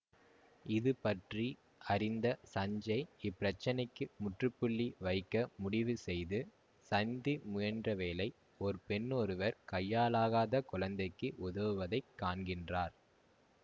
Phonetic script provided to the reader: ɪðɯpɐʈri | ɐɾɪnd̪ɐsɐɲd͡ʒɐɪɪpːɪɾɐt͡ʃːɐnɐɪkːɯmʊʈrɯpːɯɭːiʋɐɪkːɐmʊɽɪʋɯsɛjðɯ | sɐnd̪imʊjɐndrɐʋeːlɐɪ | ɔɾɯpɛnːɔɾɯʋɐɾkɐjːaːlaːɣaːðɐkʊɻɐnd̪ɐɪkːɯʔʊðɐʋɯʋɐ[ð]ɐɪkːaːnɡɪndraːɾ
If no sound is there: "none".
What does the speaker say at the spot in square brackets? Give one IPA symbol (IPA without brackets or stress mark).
ð